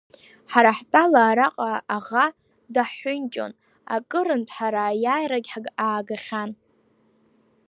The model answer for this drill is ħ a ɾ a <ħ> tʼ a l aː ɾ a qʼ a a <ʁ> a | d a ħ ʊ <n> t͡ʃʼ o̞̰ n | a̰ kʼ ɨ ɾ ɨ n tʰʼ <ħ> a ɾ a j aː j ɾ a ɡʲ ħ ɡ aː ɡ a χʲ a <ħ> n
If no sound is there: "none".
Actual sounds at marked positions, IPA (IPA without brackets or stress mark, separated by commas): ħ, ʁ, n, ħ, none